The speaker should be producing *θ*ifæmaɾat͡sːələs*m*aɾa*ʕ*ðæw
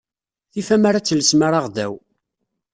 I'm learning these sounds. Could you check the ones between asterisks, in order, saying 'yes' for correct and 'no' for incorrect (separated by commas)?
yes, yes, no